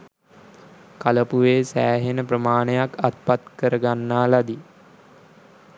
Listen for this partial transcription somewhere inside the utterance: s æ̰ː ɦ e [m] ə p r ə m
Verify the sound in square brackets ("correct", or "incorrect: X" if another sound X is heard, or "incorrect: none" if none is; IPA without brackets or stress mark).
incorrect: n